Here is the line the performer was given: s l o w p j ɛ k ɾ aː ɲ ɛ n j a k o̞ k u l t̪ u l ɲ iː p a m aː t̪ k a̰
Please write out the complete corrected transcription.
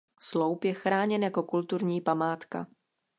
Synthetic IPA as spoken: s l o w p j ɛ x ɾ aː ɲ ɛ n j a k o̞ k u l t̪ u ɾ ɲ iː p a m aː t̪ k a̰